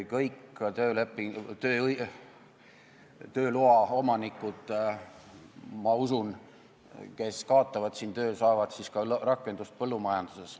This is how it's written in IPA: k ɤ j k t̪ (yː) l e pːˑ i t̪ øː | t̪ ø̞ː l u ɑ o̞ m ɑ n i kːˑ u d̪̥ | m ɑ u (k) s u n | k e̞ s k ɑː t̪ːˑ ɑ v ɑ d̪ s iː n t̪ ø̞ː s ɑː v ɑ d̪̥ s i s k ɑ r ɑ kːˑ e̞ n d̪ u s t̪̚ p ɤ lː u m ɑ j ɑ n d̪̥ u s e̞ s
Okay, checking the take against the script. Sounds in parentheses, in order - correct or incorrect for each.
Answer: incorrect: øː, incorrect: none

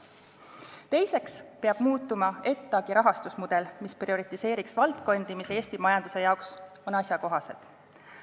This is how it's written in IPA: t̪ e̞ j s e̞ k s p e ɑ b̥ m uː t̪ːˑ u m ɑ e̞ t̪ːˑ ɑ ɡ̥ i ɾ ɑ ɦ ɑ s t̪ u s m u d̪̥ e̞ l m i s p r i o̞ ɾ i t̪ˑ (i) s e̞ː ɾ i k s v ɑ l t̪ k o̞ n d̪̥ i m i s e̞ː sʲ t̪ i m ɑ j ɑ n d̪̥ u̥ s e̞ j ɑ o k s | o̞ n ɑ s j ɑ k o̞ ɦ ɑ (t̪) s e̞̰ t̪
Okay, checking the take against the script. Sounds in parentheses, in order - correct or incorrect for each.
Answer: correct, incorrect: none

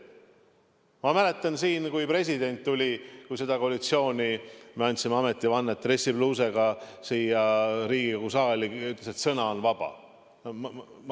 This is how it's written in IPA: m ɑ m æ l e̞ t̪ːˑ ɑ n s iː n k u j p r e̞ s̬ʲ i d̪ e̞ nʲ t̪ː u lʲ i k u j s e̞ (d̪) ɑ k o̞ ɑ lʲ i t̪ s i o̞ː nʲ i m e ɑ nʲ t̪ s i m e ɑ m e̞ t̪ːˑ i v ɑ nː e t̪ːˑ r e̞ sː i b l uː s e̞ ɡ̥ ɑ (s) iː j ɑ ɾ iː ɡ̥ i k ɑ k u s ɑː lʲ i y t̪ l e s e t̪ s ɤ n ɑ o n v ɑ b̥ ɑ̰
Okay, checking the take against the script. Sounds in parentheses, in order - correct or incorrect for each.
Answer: correct, correct

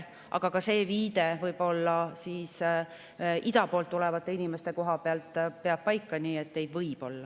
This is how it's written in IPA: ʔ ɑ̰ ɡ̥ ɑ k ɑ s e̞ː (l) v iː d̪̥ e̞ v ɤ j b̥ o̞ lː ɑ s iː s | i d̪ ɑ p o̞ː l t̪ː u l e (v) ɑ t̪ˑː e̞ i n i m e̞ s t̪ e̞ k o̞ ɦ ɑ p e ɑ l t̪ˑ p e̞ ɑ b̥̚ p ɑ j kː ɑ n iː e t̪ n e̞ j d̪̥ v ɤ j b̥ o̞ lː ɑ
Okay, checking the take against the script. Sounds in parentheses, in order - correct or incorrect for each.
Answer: incorrect: none, correct

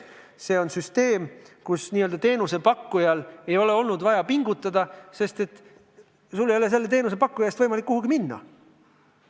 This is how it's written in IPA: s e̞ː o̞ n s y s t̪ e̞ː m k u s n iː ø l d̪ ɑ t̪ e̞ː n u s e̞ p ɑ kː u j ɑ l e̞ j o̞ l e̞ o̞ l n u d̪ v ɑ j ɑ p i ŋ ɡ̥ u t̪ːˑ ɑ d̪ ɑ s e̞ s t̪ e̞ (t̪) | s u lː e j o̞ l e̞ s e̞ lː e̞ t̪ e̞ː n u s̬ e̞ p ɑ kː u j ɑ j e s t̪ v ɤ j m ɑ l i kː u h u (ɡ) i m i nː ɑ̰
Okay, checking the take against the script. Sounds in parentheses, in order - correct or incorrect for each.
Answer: correct, correct

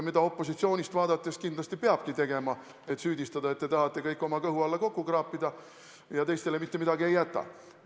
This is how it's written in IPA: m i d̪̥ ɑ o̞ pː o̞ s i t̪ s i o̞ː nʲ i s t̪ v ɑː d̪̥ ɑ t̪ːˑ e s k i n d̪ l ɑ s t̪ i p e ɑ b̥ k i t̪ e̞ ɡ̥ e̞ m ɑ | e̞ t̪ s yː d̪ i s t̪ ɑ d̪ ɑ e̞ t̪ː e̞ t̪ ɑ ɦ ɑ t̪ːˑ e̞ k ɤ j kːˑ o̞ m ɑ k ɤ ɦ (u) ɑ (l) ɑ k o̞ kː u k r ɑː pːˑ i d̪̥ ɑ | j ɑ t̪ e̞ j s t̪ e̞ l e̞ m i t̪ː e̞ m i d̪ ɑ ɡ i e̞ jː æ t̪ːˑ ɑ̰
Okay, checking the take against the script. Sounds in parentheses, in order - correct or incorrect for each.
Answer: correct, incorrect: lː

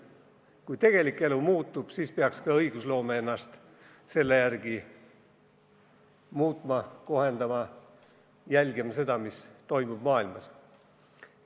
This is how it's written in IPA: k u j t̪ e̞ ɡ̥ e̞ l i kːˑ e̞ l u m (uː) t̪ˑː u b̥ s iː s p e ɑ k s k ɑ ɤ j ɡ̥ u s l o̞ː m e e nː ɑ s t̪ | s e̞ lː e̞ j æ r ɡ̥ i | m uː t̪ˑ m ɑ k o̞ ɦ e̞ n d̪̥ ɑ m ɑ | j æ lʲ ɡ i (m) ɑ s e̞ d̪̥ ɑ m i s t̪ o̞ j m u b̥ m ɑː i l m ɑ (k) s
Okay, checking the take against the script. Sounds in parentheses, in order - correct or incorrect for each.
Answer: correct, correct, incorrect: none

